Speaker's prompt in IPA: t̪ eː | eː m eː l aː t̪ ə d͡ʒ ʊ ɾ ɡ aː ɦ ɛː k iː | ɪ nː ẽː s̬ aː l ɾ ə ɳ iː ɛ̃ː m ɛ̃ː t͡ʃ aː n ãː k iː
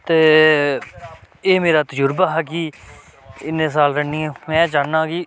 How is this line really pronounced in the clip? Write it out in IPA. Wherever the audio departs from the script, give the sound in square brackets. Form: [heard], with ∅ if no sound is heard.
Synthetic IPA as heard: t̪ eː | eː m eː [ɾ] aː t̪ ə d͡ʒ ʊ ɾ [b] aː ɦ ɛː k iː | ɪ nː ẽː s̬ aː l ɾ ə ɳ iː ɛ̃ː m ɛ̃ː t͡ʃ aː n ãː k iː